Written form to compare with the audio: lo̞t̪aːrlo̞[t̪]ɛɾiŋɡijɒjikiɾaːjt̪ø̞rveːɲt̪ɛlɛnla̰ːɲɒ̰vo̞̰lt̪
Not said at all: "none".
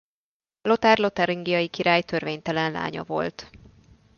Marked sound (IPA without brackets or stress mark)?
t̪